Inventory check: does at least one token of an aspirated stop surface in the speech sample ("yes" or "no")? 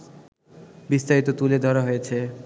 yes